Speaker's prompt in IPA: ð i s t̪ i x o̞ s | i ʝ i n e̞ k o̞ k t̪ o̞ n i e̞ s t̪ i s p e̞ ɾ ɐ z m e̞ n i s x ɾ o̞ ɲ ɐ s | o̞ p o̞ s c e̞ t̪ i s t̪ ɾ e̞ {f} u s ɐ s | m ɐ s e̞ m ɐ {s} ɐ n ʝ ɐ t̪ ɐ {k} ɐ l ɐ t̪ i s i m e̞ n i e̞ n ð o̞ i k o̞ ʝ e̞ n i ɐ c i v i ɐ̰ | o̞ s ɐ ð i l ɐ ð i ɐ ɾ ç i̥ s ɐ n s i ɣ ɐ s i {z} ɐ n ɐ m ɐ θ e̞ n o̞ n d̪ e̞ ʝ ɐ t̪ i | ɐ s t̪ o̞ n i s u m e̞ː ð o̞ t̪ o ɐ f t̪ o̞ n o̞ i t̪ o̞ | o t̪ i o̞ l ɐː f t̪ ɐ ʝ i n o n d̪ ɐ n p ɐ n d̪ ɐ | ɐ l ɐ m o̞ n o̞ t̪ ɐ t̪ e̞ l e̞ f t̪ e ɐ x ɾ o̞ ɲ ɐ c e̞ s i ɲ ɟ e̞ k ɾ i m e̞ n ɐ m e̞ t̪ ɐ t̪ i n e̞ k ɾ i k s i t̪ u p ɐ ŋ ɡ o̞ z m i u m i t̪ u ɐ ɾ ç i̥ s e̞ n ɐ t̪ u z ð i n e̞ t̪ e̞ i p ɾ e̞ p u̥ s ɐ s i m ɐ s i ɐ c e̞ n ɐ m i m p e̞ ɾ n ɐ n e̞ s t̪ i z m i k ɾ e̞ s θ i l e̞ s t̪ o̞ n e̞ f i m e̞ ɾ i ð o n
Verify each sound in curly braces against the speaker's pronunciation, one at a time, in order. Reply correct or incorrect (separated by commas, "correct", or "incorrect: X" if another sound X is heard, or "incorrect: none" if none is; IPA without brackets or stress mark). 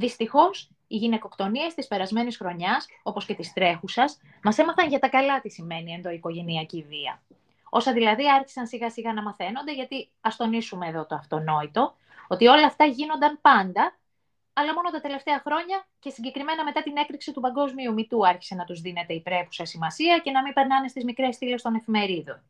incorrect: x, incorrect: θ, correct, incorrect: ɣ